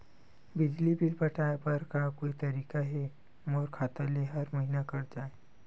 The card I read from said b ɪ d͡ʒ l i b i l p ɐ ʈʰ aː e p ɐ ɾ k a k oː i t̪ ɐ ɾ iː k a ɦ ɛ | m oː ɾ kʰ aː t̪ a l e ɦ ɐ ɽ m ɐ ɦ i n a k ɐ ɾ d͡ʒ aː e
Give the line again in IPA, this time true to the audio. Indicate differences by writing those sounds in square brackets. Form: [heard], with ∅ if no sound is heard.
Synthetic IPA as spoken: b ɪ d͡ʒ l i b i l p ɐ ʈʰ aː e p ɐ ɾ k a k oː i t̪ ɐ ɾ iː k a ɦ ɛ | m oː ɾ kʰ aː t̪ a l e ɦ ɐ [ɾ] m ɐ ɦ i n a k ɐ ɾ d͡ʒ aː e

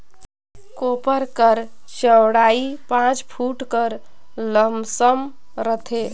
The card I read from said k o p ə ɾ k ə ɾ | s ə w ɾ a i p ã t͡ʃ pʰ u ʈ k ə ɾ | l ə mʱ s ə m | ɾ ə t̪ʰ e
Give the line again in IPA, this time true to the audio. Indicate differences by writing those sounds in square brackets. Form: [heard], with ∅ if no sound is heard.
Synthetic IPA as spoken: k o p ə ɾ k ə ɾ | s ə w [ɽ] a i p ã t͡ʃ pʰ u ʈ k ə ɾ | l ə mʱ s ə m | ɾ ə t̪ʰ e

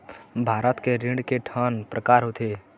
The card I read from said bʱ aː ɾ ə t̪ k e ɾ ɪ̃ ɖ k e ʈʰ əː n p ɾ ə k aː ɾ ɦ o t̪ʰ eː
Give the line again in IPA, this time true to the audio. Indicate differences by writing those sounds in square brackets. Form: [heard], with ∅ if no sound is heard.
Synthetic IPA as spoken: bʱ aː ɾ ə t̪ k e ɾ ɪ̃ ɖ k e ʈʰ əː n p ɾ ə k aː ɾ ɦ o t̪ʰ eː

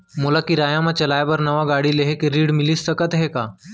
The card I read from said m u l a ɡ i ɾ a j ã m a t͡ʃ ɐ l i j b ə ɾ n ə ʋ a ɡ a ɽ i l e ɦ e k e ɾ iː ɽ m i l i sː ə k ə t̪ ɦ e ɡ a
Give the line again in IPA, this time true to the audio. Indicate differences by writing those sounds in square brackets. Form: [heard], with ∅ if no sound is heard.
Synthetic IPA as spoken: m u l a [k] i ɾ a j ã m a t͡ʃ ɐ l [a] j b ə ɾ n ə ʋ a ɡ a ɽ i l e ɦ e k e ɾ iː ɽ m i l i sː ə k ə t̪ ɦ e [k] a

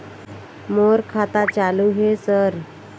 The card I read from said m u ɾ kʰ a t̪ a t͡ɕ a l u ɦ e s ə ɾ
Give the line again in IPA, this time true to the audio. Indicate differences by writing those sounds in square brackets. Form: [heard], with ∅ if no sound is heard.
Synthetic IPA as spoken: m [o] ɾ kʰ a t̪ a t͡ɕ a l u ɦ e s ə ɾ

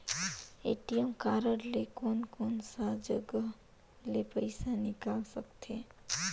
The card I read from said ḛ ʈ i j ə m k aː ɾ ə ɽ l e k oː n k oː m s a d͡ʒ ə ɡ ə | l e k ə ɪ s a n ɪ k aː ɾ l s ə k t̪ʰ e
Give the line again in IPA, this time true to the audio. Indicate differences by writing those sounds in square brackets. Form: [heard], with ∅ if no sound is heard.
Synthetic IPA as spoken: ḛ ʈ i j ə m k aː ɾ ə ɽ l e k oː n k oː [n] s a d͡ʒ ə ɡ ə | l e [p] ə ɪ s a n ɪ k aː [∅] l s ə k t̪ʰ e

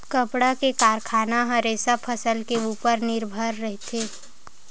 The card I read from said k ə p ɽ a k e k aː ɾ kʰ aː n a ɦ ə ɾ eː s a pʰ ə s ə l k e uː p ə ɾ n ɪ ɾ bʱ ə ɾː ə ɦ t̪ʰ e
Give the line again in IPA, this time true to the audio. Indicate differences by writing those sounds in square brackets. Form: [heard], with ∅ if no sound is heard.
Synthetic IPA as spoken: k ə p ɽ a k e k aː ɾ kʰ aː n a ɦ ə ɾ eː s a pʰ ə s ə l k e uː p ə ɾ n ɪ ɾ bʱ ə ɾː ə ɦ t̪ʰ e

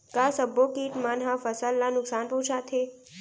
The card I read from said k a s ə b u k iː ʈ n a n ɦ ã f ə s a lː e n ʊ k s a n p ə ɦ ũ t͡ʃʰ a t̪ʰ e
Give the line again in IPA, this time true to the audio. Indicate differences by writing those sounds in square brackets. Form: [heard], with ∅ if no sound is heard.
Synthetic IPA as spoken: k a s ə b [o] k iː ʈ [m] a n ɦ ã f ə s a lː [a] n ʊ k s a n p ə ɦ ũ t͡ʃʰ a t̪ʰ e

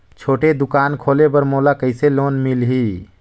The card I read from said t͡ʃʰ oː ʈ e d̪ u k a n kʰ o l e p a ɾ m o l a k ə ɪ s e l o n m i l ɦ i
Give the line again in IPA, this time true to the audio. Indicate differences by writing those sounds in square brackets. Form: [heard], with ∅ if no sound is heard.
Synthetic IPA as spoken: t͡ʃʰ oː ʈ e d̪ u k a n kʰ o l e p [ə] ɾ m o l a k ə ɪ s e l o n m i l ɦ i

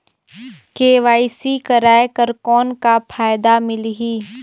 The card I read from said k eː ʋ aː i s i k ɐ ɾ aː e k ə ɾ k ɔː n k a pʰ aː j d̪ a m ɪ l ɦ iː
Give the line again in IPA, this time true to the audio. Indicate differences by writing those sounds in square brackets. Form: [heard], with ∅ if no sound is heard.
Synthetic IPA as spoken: k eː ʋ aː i s i k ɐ ɾ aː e k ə ɾ k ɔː n k a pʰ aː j d̪ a m ɪ l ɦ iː

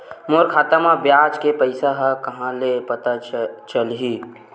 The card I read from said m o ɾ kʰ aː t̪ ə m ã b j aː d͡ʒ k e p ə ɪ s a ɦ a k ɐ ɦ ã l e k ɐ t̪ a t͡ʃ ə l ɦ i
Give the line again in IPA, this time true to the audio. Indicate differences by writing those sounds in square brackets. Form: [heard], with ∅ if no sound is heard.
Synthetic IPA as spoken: m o ɾ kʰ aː t̪ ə m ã b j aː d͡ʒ k e p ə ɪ s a ɦ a k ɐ ɦ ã l e [p] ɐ t̪ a t͡ʃ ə l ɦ i

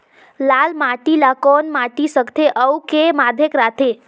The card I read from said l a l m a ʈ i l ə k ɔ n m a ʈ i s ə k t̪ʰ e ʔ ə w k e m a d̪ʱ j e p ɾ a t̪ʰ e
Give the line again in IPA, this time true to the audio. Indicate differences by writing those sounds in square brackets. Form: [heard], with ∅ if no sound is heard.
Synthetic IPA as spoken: l a l m a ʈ i l [a] k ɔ n m a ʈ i s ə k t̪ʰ e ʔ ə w k e m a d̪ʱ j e [k] ɾ a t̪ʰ e

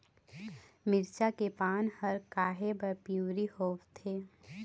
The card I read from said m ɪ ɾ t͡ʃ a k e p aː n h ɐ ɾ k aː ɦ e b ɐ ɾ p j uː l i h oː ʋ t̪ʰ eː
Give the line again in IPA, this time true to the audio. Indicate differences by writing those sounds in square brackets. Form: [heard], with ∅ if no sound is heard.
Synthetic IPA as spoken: m ɪ ɾ t͡ʃ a k e p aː n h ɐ ɾ k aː ɦ e b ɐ ɾ p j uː [ɾ] i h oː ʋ t̪ʰ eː

